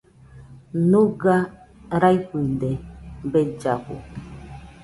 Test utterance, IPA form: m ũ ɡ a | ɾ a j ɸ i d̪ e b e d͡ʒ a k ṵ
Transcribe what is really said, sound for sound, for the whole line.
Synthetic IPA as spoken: n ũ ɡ a | ɾ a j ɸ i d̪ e b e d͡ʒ a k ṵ